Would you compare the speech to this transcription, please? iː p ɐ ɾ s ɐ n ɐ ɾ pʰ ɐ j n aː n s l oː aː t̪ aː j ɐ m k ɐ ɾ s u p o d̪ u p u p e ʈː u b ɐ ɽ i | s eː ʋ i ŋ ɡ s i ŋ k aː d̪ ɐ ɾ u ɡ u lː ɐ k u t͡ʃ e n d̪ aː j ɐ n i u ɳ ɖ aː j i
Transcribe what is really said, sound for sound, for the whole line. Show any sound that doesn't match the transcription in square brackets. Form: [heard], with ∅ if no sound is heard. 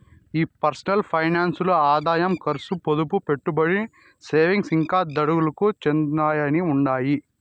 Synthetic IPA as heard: iː p ɐ ɾ s ɐ n ɐ [l] pʰ ɐ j n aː n s l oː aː [d̪] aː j ɐ m k ɐ ɾ s u p o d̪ u p u p e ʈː u b ɐ ɽ i | s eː ʋ i ŋ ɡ s i ŋ k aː d̪ ɐ [ɽ] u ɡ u [l] ɐ k u t͡ʃ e n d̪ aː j ɐ n i u ɳ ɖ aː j i